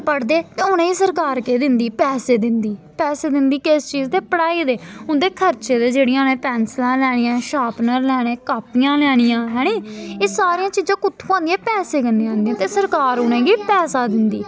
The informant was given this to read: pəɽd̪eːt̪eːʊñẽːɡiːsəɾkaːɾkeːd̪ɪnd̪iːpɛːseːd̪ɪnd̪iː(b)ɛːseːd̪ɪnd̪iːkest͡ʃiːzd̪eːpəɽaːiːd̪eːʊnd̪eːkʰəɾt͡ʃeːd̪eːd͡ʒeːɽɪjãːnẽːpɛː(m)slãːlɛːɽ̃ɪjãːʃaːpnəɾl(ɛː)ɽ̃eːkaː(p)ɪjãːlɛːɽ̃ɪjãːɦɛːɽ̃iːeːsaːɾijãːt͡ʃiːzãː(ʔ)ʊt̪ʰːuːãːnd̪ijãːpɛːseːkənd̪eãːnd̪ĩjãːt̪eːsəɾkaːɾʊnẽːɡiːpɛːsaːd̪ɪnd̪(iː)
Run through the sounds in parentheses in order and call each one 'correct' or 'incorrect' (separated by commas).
incorrect, incorrect, correct, correct, incorrect, correct